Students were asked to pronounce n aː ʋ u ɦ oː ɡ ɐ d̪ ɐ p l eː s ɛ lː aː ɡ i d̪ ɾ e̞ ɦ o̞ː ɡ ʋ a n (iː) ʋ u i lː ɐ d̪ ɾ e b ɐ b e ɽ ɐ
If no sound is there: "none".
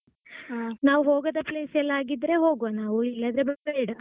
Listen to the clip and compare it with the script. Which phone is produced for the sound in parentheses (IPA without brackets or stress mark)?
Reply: aː